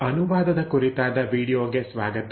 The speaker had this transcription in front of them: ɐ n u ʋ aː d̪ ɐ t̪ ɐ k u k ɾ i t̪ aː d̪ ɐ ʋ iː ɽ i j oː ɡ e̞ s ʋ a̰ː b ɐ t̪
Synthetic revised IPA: ɐ n u ʋ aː d̪ ɐ d̪ ɐ k u ɾ i t̪ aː d̪ ɐ ʋ iː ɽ i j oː ɡ e̞ s ʋ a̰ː ɡ ɐ t̪

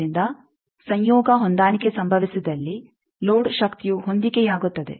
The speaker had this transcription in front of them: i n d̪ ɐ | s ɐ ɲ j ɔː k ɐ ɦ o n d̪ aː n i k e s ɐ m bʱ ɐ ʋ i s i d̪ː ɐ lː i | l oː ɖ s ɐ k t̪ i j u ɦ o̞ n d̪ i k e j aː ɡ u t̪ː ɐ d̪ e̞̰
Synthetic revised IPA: i n d̪ ɐ | s ɐ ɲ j ɔː ɡ ɐ ɦ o n d̪ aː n i k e s ɐ m bʱ ɐ ʋ i s i d̪ ɐ lː i | l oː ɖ ʃ ɐ k t̪ i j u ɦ o̞ n d̪ i k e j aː ɡ u t̪ː ɐ d̪ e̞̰

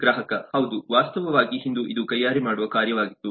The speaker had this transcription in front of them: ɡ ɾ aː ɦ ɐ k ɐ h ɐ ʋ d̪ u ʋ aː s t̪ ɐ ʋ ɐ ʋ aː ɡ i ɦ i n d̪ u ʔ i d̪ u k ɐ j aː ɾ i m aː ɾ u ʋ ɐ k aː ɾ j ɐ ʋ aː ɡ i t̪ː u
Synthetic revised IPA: ɡ ɾ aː ɦ ɐ k ɐ h ɐ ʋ d̪ u ʋ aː s t̪ ɐ ʋ ɐ ʋ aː ɡ i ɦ i n d̪ u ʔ i d̪ u k ɐ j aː ɾ i m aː ɽ u ʋ ɐ k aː ɾ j ɐ ʋ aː ɡ i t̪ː u

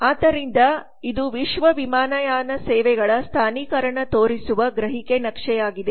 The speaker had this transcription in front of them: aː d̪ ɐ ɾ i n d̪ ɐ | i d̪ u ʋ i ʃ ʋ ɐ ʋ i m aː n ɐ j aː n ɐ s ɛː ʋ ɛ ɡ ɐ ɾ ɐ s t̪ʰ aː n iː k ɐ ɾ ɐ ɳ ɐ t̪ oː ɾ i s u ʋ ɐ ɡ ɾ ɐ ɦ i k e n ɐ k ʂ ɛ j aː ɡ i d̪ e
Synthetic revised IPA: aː d̪ ɐ ɾ i n d̪ ɐ | i d̪ u ʋ i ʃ ʋ ɐ ʋ i m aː n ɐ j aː n ɐ s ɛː ʋ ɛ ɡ ɐ ɭ ɐ s t̪ʰ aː n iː k ɐ ɾ ɐ ɳ ɐ t̪ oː ɾ i s u ʋ ɐ ɡ ɾ ɐ ɦ i k e n ɐ k ʂ ɛ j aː ɡ i d̪ e

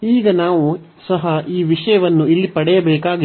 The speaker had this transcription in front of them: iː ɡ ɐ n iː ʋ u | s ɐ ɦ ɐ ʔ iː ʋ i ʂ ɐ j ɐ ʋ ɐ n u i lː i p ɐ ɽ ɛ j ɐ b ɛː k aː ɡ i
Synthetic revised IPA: iː ɡ ɐ n aː ʋ u | s ɐ ɦ ɐ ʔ iː ʋ i ʂ ɐ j ɐ ʋ ɐ nː u i lː i p ɐ ɽ ɛ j ɐ b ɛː k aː ɡ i

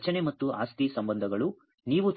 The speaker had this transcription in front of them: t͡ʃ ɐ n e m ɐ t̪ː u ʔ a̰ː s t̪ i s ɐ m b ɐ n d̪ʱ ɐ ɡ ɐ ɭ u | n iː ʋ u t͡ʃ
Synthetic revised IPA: t͡ʃ ɐ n e m ɐ t̪ː u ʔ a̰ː s t̪ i s ɐ m b ɐ n d̪ʱ ɐ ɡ ɐ ɭ u | n iː ʋ u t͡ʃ

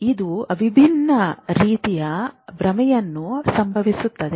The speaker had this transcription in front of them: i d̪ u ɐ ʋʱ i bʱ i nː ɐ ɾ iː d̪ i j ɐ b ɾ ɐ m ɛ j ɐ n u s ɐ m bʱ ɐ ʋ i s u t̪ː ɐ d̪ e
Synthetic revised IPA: i d̪ u ɐ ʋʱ i bʱ i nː ɐ ɾ iː t̪ i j ɐ b ɾ ɐ m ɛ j ɐ nː u s ɐ m bʱ ɐ ʋ i s u t̪ː ɐ d̪ e

